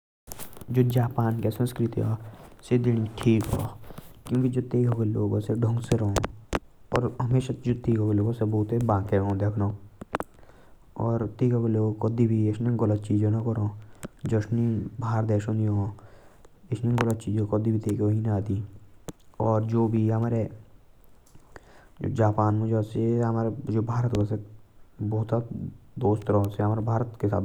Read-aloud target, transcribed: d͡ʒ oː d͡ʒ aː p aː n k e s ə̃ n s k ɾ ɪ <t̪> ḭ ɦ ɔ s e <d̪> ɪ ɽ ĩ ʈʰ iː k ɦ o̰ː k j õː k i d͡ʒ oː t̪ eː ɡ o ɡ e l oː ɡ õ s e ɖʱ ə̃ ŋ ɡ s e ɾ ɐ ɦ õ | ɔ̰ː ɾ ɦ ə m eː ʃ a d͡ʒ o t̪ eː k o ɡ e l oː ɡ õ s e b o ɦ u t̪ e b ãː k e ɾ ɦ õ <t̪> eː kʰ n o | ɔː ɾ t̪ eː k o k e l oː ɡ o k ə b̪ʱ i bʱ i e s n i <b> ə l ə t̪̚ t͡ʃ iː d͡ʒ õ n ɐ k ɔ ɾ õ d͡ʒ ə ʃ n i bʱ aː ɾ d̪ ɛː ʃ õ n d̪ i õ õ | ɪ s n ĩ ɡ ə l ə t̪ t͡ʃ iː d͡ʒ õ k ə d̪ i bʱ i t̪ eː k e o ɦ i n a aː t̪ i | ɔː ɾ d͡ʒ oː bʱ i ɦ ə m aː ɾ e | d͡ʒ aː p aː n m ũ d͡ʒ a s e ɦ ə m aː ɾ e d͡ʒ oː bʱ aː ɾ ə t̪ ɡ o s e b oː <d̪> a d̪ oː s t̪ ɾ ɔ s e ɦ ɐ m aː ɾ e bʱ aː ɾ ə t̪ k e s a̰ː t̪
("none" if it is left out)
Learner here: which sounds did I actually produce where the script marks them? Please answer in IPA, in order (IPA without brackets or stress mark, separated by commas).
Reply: t̪, d̪, d̪, ɡ, t̪